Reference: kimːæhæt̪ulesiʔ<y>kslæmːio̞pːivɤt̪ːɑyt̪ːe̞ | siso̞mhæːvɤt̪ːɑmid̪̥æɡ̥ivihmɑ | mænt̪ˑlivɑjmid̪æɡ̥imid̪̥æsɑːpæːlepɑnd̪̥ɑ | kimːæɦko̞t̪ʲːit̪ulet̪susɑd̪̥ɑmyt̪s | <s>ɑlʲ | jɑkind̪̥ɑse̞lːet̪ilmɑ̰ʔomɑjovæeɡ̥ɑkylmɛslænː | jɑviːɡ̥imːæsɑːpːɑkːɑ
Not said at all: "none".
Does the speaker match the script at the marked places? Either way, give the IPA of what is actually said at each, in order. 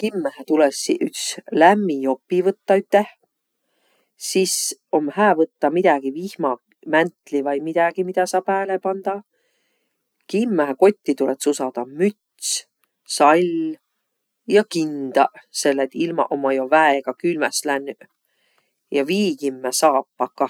y, s

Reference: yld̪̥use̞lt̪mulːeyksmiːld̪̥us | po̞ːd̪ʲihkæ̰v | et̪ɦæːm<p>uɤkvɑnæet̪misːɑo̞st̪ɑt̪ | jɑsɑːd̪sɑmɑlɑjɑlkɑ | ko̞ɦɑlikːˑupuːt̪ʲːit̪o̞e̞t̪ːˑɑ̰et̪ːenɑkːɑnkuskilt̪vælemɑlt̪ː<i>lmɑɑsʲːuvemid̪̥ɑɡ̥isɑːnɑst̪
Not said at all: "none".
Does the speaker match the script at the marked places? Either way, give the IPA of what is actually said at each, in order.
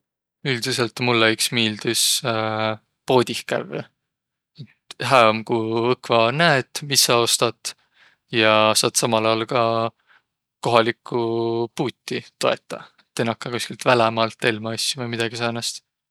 k, e

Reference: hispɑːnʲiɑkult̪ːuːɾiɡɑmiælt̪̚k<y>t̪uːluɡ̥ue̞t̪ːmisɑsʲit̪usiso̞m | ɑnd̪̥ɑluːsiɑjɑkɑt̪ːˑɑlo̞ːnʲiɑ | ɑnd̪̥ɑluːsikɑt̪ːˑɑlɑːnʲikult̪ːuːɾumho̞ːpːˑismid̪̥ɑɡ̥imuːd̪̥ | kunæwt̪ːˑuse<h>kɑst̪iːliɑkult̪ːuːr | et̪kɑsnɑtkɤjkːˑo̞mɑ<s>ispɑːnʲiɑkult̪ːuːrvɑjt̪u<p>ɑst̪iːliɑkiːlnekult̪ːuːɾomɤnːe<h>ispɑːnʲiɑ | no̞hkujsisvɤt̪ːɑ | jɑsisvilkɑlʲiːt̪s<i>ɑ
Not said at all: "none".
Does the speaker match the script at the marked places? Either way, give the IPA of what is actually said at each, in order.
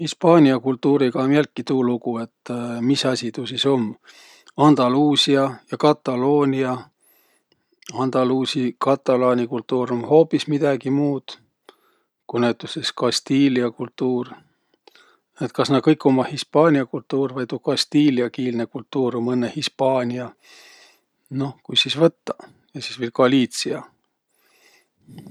i, s, h, k, h, i

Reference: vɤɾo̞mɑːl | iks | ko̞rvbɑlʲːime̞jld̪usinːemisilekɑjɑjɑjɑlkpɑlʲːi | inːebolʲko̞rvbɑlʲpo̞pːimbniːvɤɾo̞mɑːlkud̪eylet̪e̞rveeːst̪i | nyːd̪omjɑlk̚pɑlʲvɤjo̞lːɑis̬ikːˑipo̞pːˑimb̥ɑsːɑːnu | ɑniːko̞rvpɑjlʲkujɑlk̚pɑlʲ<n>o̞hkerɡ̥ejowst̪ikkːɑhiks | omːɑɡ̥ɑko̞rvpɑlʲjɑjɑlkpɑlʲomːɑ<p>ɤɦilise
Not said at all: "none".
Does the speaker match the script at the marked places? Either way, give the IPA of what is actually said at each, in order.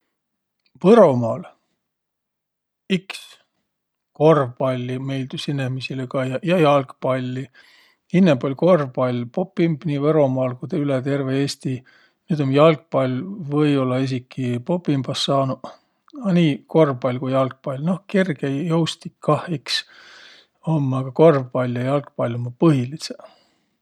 n, p

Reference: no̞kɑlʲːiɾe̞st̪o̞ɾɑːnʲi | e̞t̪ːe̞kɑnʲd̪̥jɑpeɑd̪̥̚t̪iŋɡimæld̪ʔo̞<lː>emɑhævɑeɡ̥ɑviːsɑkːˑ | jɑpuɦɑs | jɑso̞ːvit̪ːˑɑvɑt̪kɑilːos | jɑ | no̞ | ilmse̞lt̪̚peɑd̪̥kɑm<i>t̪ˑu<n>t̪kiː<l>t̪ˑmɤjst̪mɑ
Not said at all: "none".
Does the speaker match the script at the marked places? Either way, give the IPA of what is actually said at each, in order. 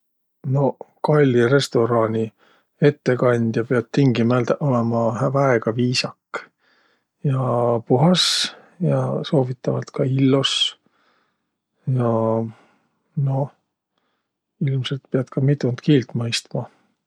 l, i, n, l

